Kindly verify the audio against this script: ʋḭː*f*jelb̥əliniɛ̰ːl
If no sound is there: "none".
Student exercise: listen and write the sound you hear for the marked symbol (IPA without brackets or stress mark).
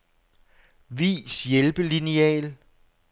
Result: s